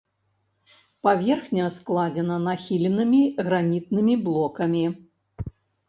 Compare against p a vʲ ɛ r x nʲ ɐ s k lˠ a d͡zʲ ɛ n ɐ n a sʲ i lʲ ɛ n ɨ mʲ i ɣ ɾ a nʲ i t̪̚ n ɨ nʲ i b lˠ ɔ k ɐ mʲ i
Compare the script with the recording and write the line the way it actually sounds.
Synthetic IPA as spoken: p a vʲ ɛ r x nʲ ɐ s k lˠ a d͡zʲ ɛ n ɐ n a xʲ i lʲ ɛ n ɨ mʲ i ɣ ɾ a nʲ i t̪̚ n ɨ mʲ i b lˠ ɔ k ɐ mʲ i